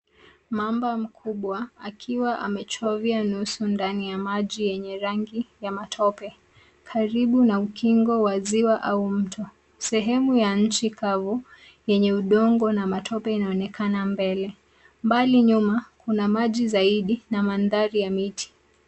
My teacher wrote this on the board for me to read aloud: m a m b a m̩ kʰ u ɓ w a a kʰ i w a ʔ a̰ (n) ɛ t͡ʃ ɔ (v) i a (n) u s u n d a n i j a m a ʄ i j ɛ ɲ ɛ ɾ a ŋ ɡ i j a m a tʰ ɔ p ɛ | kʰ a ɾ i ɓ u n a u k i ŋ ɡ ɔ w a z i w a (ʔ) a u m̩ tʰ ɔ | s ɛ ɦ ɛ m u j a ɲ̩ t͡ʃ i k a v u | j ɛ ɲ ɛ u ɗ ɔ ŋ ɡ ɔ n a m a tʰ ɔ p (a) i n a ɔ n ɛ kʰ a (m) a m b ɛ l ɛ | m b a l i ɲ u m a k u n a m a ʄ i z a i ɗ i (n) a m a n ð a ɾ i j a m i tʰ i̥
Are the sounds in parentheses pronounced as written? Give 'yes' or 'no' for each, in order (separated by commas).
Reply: no, yes, yes, yes, no, no, yes